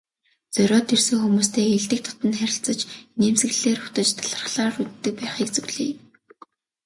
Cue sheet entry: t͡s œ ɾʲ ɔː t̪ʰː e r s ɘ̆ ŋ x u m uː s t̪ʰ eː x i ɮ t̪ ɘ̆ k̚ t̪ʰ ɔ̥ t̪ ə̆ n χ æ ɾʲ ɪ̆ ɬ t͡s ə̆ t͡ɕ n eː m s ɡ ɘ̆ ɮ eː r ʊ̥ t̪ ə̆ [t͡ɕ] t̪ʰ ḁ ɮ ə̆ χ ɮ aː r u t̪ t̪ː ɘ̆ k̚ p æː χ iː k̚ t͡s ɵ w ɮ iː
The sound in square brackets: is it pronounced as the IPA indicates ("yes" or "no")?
yes